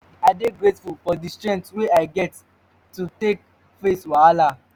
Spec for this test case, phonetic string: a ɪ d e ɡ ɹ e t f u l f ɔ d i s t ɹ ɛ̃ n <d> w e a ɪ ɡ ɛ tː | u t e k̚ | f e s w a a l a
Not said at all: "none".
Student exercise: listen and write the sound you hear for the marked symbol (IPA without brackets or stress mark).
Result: t